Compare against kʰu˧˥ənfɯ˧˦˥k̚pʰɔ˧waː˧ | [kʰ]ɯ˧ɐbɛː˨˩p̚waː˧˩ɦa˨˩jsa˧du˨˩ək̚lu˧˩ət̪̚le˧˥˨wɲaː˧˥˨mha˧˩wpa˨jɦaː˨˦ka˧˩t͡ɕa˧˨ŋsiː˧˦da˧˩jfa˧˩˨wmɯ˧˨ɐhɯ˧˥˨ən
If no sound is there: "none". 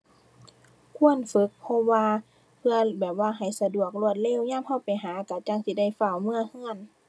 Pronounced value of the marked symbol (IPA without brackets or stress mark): pʰ